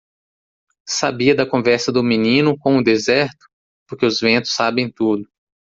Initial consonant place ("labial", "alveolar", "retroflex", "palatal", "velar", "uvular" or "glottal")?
alveolar